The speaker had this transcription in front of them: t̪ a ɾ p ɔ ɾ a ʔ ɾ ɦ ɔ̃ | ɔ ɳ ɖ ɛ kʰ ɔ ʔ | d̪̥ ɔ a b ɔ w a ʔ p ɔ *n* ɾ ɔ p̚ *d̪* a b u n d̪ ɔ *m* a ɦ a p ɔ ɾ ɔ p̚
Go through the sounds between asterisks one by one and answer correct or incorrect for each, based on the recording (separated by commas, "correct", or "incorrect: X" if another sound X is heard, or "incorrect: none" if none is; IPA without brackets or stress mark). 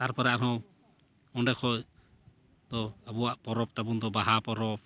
incorrect: none, incorrect: t̪, incorrect: b